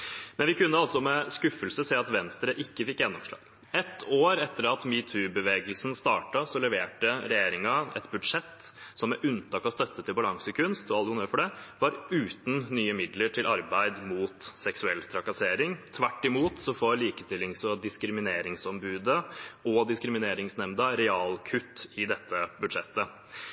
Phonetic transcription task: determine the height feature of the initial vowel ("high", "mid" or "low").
mid